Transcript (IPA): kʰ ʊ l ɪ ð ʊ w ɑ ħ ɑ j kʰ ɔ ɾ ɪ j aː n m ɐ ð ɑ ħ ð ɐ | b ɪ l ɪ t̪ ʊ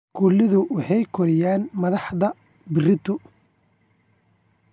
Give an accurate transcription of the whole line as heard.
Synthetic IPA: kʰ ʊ l ɪ ð ʊ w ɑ ħ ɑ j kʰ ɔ ɾ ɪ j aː n m ɐ ð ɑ ħ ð ɐ | b ɪ r ɪ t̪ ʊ